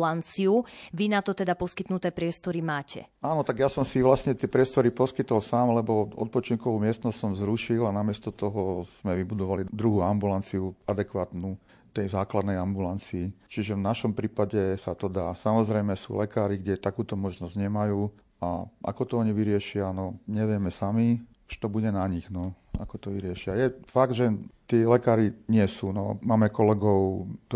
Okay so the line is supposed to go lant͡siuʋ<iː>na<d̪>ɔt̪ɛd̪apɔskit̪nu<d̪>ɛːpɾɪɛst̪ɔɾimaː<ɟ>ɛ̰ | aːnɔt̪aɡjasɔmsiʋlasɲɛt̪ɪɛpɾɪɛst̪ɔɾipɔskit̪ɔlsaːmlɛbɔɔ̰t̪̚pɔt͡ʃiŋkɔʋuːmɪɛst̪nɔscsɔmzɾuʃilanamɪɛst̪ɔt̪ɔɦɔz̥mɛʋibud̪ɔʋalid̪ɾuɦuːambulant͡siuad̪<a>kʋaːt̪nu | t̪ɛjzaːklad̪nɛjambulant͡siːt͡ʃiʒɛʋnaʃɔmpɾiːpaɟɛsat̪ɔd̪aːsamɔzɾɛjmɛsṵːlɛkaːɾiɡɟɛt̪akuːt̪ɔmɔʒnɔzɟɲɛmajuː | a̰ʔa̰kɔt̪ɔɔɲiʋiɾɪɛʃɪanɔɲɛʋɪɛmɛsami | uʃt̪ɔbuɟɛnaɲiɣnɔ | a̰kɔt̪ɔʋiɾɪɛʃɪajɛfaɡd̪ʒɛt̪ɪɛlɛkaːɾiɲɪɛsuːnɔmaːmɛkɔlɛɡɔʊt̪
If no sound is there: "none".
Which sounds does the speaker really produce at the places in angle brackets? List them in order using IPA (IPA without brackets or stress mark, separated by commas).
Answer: i, t̪, t̪, c, ɛ